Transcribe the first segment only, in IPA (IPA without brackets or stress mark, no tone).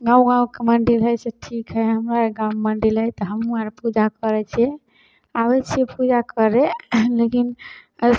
ɡ